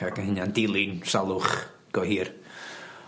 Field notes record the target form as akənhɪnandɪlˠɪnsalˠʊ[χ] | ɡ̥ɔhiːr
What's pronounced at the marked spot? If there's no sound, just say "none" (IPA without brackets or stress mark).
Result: χ